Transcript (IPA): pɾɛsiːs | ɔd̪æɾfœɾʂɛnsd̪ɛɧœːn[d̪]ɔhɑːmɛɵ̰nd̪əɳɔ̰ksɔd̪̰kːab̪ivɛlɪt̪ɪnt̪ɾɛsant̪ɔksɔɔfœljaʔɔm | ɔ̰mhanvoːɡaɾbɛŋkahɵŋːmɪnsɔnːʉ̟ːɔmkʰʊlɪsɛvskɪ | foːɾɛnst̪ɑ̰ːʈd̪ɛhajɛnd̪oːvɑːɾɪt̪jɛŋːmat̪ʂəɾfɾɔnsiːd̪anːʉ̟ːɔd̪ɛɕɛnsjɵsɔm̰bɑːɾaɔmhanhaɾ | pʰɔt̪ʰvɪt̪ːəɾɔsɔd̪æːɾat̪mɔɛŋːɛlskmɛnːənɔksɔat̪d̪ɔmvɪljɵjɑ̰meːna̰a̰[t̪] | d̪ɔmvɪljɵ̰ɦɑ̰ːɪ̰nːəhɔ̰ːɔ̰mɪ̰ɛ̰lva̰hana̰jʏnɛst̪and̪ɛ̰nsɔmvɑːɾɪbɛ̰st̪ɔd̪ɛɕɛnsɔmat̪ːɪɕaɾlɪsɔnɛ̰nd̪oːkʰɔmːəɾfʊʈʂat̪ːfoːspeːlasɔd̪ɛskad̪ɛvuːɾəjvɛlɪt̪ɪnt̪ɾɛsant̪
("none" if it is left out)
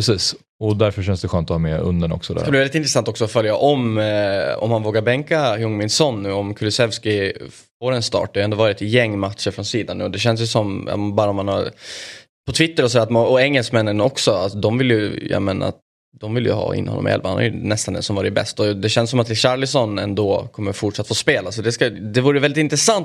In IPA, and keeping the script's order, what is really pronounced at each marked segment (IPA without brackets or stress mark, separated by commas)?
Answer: t̪, t̪